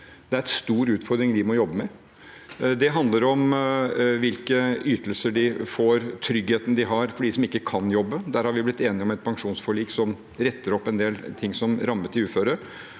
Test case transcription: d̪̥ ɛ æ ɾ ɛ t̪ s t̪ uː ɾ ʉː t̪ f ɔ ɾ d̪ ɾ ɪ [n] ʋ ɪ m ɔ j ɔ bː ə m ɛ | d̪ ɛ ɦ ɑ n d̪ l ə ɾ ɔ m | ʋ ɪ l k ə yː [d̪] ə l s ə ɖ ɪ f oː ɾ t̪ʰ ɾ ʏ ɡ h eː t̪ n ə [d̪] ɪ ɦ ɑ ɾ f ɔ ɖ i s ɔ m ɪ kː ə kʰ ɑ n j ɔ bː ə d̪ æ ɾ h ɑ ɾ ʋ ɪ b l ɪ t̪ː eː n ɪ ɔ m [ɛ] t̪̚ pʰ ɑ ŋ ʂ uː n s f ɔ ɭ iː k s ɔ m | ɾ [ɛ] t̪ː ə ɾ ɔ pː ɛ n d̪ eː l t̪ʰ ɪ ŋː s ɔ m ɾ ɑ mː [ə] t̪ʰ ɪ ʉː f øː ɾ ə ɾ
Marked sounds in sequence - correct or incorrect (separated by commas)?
incorrect, incorrect, correct, correct, correct, correct